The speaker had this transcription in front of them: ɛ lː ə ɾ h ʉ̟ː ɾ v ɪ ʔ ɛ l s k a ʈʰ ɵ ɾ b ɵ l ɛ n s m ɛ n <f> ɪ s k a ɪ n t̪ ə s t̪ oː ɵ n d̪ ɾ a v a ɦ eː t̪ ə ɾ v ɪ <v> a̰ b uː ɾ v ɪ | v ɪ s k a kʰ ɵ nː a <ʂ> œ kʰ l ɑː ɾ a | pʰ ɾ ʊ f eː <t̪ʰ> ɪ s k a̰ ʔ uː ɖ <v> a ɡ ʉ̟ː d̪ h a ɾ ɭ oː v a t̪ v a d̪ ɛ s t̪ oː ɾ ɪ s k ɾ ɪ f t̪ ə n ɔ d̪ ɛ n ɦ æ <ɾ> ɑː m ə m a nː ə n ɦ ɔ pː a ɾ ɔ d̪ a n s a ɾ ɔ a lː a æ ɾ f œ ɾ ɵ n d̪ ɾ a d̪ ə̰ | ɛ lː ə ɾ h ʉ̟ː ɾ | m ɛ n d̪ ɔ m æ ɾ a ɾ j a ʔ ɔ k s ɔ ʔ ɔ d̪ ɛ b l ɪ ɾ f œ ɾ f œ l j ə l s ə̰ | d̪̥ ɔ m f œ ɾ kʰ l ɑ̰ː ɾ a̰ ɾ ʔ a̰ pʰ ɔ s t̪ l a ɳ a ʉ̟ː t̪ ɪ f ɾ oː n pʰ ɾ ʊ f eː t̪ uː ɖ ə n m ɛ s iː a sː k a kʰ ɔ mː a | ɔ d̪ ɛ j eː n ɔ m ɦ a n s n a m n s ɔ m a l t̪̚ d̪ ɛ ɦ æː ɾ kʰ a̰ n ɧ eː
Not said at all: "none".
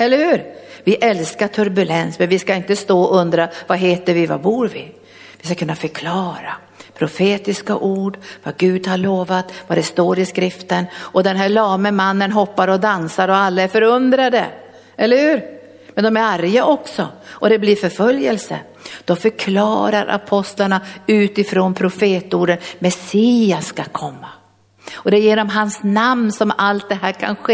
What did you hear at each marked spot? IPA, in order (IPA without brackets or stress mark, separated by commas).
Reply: v, v, f, t̪, v, ɭ